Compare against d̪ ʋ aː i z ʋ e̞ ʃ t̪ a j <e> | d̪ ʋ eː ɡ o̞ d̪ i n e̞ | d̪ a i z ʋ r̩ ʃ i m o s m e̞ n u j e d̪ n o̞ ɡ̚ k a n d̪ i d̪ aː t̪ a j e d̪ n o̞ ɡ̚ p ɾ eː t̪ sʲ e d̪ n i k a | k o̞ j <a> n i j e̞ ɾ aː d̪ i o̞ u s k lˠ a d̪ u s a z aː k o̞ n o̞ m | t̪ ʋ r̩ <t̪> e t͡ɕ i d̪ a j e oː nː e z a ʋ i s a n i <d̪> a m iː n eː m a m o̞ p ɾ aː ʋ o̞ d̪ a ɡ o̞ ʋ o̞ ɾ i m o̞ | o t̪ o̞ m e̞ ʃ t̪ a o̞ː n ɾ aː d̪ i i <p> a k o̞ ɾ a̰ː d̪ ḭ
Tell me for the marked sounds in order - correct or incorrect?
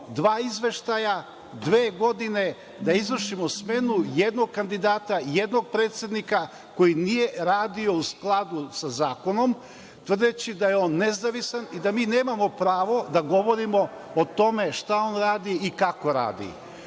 incorrect: a, incorrect: i, incorrect: d̪, correct, incorrect: k

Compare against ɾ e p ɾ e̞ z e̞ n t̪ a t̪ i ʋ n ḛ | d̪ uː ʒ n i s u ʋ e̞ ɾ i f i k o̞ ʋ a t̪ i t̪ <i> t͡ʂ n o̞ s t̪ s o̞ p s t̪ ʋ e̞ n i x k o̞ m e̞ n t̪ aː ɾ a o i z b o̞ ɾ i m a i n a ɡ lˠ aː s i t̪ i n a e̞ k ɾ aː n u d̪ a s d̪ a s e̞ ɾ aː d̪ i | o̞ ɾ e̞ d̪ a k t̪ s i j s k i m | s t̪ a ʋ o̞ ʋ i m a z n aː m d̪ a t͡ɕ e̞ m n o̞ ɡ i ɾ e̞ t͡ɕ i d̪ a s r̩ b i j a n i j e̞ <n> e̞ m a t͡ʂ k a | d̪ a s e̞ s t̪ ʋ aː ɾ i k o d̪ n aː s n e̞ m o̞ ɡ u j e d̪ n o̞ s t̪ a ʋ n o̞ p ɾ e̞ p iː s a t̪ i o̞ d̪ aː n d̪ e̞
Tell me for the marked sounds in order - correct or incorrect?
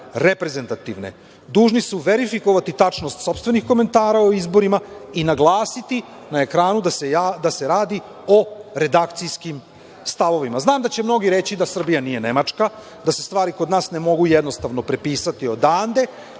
incorrect: a, correct

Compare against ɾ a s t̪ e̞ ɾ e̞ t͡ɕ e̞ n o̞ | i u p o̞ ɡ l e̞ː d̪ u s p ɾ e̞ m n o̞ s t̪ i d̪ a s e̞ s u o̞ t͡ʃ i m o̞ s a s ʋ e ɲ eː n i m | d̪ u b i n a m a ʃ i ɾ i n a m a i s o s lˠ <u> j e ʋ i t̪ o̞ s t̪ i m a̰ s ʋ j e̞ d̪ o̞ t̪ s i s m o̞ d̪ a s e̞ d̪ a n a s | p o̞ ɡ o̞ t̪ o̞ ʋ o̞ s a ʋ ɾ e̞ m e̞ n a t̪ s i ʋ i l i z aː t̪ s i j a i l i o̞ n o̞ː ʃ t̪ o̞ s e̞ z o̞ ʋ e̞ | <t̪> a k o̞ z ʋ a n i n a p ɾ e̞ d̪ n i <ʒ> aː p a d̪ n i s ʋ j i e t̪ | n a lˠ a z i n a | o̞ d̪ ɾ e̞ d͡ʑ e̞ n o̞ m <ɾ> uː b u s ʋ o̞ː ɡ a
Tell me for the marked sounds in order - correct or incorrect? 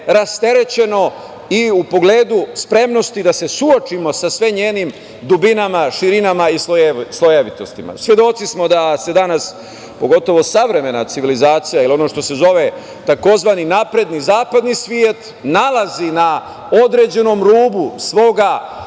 incorrect: o, correct, incorrect: z, correct

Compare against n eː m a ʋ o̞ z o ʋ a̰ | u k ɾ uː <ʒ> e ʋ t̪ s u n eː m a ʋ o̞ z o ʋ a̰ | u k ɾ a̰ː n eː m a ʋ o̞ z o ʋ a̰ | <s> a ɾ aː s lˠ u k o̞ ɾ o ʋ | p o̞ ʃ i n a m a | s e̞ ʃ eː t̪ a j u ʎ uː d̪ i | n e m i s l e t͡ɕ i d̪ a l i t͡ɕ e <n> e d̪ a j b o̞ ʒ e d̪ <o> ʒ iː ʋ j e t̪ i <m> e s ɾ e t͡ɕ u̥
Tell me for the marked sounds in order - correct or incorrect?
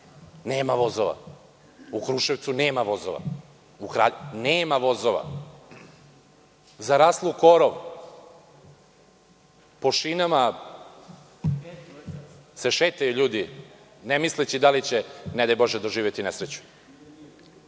incorrect: ʃ, incorrect: z, correct, correct, incorrect: n

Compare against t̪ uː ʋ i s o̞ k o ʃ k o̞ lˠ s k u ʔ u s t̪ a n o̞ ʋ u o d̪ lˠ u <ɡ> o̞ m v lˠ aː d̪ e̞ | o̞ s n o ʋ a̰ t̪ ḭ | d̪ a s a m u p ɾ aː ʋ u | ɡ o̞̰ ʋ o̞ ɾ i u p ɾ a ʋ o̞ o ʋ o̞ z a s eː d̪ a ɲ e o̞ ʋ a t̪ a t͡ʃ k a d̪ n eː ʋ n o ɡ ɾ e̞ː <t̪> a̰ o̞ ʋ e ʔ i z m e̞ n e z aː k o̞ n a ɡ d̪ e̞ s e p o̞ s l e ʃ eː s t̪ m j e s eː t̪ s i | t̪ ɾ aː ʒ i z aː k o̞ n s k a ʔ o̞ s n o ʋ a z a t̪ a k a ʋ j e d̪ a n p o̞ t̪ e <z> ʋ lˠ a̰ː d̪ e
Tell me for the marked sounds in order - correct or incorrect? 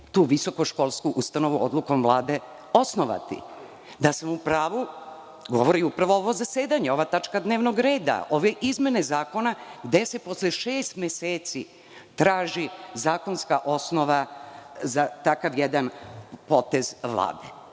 incorrect: k, incorrect: d̪, correct

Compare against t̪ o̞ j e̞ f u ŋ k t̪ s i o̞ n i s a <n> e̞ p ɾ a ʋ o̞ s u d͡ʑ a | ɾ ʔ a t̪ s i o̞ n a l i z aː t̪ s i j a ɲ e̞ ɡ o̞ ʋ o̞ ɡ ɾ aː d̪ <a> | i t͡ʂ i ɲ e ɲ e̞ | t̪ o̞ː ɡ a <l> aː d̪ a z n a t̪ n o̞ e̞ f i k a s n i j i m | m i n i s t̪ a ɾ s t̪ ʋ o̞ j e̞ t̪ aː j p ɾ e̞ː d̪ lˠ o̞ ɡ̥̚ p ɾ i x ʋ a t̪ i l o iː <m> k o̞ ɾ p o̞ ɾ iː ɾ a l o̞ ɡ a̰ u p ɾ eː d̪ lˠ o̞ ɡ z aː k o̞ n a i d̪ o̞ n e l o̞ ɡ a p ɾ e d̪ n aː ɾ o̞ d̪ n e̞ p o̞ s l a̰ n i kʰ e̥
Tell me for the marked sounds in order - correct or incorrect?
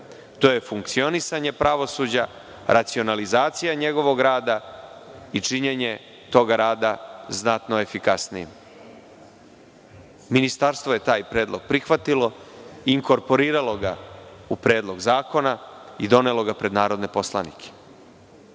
incorrect: ɲ, correct, incorrect: ɾ, incorrect: ŋ

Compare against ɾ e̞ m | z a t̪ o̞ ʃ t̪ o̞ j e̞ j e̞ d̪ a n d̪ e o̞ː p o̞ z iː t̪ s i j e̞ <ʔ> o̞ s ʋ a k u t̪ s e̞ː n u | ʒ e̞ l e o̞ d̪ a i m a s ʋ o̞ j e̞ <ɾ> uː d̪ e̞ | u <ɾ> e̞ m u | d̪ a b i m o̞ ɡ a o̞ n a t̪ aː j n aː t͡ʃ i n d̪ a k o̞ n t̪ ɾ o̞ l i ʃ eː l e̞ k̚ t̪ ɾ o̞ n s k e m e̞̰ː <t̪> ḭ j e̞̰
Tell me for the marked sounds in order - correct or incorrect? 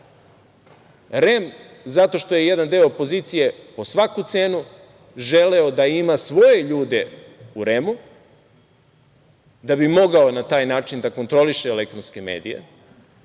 incorrect: p, incorrect: ʎ, correct, incorrect: d̪

